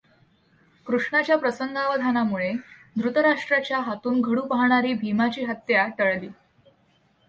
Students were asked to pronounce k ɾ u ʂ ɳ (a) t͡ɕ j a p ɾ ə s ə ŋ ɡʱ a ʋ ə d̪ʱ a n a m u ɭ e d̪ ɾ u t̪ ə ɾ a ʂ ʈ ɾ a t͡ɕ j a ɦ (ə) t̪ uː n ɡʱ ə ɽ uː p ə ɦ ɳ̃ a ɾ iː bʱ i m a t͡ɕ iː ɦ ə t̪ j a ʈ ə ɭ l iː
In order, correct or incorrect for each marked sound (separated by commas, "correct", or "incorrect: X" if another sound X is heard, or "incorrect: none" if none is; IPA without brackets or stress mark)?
correct, incorrect: a